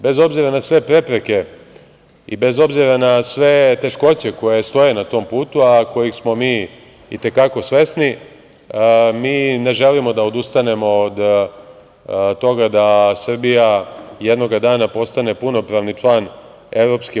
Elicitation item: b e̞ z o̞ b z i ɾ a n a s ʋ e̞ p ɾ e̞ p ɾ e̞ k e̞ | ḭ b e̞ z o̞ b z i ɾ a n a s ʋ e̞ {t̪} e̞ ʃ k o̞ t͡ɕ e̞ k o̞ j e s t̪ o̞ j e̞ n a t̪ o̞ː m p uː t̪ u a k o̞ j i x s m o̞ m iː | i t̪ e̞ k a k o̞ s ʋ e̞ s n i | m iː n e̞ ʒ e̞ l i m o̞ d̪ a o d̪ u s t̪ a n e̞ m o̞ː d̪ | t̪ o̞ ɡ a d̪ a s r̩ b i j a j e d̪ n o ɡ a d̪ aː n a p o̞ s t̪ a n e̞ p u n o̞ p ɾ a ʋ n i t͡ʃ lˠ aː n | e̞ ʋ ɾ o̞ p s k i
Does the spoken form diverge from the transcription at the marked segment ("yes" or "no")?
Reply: no